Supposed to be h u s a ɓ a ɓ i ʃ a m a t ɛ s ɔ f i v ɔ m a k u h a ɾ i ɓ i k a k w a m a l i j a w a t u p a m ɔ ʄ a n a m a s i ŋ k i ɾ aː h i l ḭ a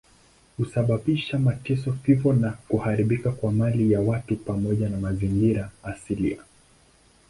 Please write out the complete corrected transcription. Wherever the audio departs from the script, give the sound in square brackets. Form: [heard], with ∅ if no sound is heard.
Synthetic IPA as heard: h u s a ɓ a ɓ i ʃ a m a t ɛ s ɔ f i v ɔ [n] a k u h a ɾ i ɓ i k a k w a m a l i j a w a t u p a m ɔ ʄ a n a m a [z] i ŋ [ɡ] i ɾ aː [s] i l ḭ a